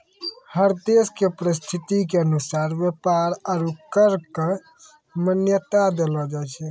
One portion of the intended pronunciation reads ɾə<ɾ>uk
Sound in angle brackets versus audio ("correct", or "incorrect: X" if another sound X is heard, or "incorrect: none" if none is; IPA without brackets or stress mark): correct